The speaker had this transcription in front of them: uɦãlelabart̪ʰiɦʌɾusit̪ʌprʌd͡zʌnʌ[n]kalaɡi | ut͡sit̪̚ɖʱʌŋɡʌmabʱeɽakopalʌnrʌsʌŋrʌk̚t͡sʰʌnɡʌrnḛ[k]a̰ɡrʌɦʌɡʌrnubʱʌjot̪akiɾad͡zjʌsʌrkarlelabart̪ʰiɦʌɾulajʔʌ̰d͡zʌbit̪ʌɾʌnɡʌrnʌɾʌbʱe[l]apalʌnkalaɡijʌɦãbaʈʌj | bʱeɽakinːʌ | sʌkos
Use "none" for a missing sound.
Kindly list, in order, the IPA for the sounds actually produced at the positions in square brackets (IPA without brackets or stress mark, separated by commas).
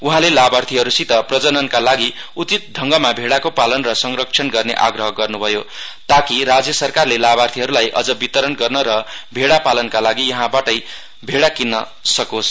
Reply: n, ʔ, ɽ